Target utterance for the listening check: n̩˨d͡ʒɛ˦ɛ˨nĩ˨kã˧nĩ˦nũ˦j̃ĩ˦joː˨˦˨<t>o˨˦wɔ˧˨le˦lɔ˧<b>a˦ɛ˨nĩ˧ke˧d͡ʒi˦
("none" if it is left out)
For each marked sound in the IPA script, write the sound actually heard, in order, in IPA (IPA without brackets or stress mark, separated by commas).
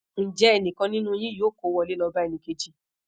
k, b